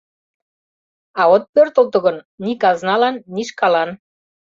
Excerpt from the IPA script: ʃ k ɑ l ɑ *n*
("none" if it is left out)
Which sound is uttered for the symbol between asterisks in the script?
n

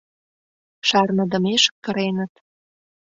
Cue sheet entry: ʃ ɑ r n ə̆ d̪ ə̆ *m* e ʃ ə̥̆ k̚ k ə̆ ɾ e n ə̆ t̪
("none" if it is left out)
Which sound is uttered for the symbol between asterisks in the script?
m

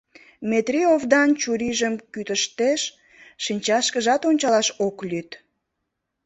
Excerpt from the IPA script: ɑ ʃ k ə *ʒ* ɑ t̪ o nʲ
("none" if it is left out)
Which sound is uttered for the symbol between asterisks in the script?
ʒ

